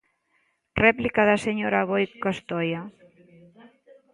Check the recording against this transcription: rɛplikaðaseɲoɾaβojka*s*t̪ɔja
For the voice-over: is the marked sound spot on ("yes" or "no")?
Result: yes